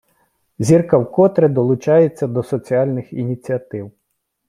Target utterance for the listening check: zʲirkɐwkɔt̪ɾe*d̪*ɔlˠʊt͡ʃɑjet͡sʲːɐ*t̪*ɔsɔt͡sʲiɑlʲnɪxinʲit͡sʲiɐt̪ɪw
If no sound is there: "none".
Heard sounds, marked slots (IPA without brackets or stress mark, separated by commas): d̪, d̪